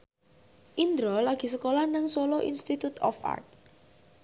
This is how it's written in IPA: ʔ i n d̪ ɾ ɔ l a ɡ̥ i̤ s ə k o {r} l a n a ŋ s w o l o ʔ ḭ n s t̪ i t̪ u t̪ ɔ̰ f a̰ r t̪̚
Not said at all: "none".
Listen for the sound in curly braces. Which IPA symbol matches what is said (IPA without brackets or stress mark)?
none